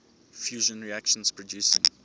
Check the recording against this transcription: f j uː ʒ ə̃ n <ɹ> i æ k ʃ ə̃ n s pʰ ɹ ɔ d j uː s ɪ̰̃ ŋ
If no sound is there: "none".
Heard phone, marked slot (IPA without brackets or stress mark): ɹ